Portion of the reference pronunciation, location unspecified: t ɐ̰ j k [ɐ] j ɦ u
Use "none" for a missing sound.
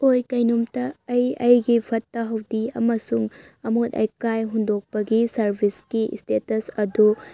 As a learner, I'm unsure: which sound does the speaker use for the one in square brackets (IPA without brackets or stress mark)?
a